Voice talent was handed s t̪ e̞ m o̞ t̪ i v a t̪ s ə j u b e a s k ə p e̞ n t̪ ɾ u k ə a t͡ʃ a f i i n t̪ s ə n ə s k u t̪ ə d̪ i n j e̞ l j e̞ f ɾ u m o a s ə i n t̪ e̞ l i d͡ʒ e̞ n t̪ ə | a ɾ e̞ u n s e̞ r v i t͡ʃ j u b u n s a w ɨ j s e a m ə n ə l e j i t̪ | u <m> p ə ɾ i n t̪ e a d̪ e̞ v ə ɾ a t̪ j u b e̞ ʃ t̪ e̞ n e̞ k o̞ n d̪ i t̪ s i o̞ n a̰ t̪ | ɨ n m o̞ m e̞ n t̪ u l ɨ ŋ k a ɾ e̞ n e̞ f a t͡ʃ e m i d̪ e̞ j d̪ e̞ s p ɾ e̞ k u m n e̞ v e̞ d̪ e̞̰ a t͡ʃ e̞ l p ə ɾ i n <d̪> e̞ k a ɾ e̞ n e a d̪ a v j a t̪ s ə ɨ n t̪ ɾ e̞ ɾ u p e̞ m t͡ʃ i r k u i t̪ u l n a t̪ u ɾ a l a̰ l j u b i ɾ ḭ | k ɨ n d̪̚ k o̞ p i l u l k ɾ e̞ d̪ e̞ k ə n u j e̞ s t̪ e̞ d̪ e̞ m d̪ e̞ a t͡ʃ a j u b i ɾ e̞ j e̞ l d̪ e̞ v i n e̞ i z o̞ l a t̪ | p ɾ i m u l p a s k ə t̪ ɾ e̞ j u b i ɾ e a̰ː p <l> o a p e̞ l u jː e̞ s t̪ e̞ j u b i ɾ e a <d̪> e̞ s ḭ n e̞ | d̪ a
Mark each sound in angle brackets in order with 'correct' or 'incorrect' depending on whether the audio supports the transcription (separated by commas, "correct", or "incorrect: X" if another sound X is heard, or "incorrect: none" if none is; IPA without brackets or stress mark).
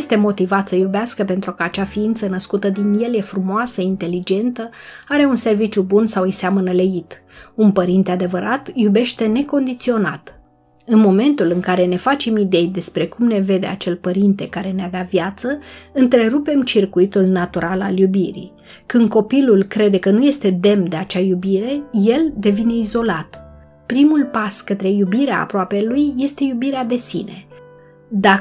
incorrect: n, incorrect: t̪, incorrect: ɾ, correct